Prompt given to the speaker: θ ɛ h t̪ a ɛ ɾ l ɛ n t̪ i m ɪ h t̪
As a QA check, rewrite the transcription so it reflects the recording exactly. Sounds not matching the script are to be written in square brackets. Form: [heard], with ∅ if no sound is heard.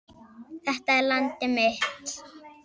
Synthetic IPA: θ ɛ h t̪ a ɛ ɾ l [a] n t̪ [ɪ] m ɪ h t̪